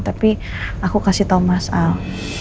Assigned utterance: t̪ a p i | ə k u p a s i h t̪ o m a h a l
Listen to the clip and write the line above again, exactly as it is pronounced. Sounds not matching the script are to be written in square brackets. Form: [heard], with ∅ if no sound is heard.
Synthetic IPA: t̪ a p i | [a] k u [k] a s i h t̪ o m a [s] a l

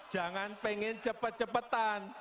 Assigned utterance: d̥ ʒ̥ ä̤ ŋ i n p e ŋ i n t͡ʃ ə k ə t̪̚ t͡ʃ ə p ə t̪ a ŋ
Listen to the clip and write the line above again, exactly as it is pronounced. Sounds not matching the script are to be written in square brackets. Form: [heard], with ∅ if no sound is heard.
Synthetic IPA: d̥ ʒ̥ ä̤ ŋ [a] n p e ŋ [ɪ] n t͡ʃ ə [p] ə t̪̚ t͡ʃ ə p ə t̪ a [n]

